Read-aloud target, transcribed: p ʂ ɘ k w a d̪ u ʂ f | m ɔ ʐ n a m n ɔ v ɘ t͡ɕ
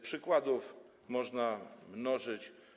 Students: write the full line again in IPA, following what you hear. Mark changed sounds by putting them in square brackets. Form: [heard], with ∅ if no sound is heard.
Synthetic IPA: p ʂ ɘ k w a d̪ u [∅] f | m ɔ ʐ n a m n ɔ [ʐ] ɘ t͡ɕ